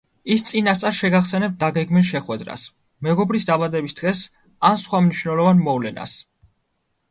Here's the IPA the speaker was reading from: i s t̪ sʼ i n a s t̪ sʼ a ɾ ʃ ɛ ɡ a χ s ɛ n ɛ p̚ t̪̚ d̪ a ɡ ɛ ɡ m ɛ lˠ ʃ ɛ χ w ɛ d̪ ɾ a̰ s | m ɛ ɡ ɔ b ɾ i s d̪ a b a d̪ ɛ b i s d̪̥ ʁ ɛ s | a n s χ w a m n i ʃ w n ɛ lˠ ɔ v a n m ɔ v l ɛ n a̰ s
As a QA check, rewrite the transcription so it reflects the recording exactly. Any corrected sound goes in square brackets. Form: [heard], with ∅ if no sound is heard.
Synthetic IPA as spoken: i s t̪ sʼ i n a s t̪ sʼ a ɾ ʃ ɛ ɡ a χ s ɛ n ɛ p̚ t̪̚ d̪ a ɡ ɛ ɡ m [i] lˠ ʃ ɛ χ w ɛ d̪ ɾ a̰ s | m ɛ ɡ ɔ b ɾ i s d̪ a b a d̪ ɛ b i s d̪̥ ʁ ɛ s | a n s χ w a m n i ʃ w n ɛ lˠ ɔ v a n m ɔ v l ɛ n a̰ s